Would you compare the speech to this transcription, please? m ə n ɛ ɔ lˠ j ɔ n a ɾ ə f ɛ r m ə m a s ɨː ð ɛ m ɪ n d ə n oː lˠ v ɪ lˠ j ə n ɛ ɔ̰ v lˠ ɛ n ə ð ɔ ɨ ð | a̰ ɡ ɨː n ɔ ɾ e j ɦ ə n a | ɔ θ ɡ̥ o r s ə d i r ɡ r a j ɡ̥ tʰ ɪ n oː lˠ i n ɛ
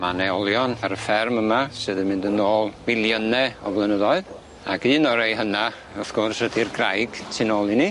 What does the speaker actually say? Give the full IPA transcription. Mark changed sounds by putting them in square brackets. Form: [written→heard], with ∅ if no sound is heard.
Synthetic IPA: m [ə→a] n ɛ ɔ lˠ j ɔ n a ɾ ə f ɛ r m ə m a s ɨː ð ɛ m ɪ n d ə n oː lˠ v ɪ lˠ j ə n ɛ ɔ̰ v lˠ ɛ n ə ð ɔ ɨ ð | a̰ ɡ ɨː n ɔ ɾ e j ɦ ə n a | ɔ θ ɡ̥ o r s ə d i r ɡ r a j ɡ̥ tʰ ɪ n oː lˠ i n [ɛ→i]